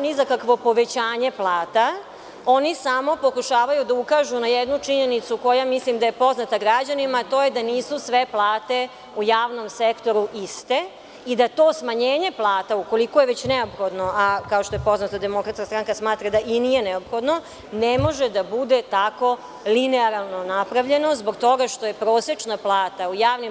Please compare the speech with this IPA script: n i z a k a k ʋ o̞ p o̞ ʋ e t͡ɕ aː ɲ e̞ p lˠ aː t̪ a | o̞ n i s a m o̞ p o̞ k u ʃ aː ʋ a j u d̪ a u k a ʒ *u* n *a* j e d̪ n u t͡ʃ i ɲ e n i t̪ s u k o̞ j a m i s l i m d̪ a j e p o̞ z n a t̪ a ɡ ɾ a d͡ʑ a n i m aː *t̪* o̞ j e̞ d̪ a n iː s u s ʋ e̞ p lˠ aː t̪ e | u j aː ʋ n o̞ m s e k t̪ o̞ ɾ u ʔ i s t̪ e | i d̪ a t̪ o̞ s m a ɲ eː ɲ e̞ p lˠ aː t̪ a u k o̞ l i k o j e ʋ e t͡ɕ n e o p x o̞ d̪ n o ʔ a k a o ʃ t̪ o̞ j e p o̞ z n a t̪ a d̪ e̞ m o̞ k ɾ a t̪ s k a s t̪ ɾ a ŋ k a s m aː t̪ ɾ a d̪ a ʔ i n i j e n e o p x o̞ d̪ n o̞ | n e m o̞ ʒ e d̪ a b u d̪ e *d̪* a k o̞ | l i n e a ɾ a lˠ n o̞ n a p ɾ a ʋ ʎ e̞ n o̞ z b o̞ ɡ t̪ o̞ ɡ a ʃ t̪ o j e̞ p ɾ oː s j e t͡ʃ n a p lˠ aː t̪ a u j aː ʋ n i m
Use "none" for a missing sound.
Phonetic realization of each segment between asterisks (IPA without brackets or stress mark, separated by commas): u, a, t̪, t̪